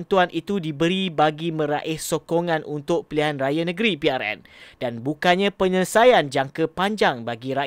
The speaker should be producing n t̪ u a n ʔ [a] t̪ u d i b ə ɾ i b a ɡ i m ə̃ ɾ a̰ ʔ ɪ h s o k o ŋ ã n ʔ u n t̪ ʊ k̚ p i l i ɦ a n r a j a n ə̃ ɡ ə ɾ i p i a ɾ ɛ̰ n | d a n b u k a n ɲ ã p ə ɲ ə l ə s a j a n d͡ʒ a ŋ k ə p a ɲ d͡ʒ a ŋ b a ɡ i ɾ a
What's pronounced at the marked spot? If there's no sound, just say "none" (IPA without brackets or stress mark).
i